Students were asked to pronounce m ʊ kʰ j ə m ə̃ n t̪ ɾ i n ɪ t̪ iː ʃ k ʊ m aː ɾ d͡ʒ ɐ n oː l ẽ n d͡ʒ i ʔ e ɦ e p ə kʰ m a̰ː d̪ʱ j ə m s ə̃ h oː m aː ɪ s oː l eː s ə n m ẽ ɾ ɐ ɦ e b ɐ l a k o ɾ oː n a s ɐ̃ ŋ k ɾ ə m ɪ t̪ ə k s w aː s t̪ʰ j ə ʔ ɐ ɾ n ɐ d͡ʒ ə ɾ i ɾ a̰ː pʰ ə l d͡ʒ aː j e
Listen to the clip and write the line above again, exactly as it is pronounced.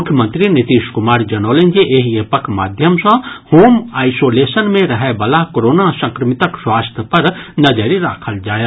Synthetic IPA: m ʊ kʰ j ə m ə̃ n t̪ ɾ i n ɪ t̪ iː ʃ k ʊ m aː ɾ d͡ʒ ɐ n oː l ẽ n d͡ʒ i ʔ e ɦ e p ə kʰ m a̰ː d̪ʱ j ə m s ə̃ h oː m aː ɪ s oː l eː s ə n m ẽ ɾ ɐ ɦ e b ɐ l a k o ɾ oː n a s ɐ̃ ŋ k ɾ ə m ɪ t̪ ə k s w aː s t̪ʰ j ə p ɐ ɾ n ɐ d͡ʒ ə ɾ i ɾ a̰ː kʰ ə l d͡ʒ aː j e